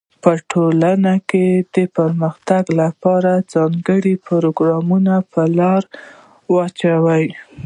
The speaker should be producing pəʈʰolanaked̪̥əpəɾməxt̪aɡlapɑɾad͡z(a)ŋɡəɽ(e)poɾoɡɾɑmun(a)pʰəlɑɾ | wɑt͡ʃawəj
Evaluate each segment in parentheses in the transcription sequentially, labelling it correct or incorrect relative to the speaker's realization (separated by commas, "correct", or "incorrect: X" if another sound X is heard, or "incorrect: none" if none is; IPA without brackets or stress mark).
incorrect: ɑ, incorrect: i, correct